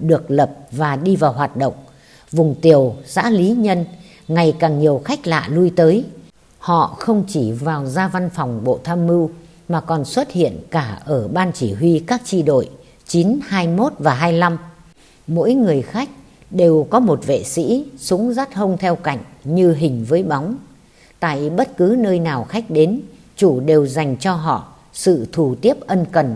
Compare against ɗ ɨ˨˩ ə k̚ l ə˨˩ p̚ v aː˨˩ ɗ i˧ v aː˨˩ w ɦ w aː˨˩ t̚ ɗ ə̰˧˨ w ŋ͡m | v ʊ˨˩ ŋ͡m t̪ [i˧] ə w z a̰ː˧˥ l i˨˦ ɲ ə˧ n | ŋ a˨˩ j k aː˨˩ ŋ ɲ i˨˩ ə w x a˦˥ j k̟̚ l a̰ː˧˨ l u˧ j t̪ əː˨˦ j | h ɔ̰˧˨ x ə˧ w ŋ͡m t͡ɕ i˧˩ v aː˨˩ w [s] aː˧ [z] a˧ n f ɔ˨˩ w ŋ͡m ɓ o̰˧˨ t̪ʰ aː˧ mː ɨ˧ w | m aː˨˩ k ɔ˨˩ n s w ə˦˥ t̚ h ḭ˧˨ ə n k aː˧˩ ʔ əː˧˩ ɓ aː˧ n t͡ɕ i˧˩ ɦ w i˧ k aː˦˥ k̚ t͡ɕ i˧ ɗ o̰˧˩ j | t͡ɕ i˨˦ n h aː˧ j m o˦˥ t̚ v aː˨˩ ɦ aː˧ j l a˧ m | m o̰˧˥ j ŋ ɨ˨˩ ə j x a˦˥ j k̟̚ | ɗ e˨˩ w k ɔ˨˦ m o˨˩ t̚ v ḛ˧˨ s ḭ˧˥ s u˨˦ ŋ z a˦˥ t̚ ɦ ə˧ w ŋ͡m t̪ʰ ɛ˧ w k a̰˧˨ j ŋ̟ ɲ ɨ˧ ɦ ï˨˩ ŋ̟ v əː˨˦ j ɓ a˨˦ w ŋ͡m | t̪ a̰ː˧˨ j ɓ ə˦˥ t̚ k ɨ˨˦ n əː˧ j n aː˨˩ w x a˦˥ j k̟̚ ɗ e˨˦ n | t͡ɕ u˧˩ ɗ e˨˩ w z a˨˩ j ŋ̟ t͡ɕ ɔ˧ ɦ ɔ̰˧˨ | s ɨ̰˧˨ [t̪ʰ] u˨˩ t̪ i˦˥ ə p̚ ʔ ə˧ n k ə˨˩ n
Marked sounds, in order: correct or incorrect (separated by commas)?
incorrect, incorrect, incorrect, correct